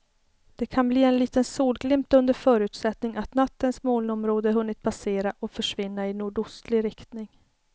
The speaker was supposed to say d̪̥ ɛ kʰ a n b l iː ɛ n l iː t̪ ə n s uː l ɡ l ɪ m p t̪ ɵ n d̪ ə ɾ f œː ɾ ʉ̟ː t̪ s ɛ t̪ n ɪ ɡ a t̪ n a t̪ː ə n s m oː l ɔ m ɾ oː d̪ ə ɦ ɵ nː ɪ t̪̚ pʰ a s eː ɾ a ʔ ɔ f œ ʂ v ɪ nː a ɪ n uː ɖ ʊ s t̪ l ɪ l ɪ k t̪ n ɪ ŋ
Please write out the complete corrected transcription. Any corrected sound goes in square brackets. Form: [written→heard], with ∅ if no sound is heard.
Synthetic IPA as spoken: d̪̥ ɛ kʰ a n b l iː ɛ n l iː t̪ ə n s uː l ɡ l ɪ m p t̪ ɵ n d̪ ə ɾ f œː ɾ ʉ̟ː t̪ s ɛ t̪ n ɪ [ɡ→ŋ] a t̪ n a t̪ː ə n s m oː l ɔ m ɾ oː d̪ ə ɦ ɵ nː ɪ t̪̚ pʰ a s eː ɾ a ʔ ɔ f œ ʂ v ɪ nː a ɪ n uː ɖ ʊ s t̪ l ɪ [l→ɾ] ɪ k t̪ n ɪ ŋ